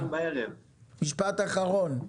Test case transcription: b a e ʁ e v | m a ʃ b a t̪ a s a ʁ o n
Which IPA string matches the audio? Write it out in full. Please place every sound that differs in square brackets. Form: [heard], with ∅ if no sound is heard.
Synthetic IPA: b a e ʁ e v | m [i] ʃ [p] a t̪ a [χ] a ʁ o n